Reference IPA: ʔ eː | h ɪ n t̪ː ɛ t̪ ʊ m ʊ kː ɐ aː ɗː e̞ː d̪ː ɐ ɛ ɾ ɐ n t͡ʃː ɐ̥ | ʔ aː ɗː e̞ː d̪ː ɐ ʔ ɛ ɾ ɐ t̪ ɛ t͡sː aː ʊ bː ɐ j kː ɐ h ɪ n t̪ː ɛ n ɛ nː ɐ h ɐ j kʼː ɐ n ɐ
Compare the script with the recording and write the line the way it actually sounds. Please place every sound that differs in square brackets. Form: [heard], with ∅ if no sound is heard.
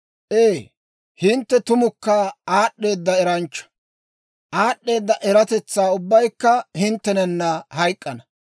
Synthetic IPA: ʔ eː | h ɪ n t̪ː ɛ t̪ ʊ m ʊ kː ɐ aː ɗː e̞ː d̪ː ɐ ɛ ɾ ɐ n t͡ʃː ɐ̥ | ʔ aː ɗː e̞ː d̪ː ɐ ʔ ɛ ɾ ɐ t̪ ɛ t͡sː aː ʊ bː ɐ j kː ɐ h ɪ n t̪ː ɛ n ɛ nː ɐ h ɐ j kʼː ɐ n ɐ